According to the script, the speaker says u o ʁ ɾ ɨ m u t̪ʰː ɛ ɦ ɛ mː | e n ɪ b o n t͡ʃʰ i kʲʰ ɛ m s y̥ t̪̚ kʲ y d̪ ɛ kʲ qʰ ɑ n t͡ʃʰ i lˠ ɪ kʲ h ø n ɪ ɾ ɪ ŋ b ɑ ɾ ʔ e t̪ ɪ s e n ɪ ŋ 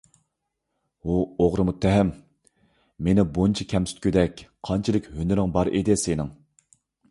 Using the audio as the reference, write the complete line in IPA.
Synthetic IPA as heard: u o ʁ ɾ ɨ m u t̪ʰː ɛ ɦ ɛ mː | e n ɪ b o n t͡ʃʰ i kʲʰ ɛ m s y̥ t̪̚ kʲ y d̪ ɛ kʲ qʰ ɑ n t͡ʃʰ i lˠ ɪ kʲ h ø n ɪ ɾ ɪ ŋ b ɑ ɾ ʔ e d̪ ɪ s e n ɪ ŋ